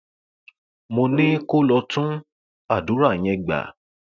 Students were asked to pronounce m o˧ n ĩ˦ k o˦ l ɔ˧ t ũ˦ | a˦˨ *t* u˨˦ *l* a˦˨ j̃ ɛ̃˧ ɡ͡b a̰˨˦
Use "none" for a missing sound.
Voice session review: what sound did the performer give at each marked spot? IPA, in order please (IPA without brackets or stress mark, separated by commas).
d, ɾ